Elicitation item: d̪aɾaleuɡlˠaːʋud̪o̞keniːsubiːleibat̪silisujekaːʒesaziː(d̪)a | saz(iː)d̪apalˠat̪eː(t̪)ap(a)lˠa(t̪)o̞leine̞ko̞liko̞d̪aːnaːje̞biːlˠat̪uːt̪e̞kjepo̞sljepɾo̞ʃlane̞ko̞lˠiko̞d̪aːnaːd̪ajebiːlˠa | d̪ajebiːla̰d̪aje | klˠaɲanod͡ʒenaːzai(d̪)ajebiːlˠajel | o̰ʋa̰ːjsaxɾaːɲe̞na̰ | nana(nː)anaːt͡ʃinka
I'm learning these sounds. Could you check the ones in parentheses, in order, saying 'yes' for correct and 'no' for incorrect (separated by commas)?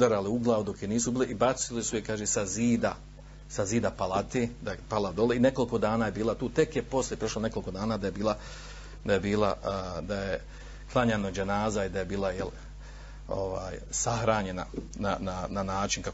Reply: yes, yes, no, yes, no, yes, no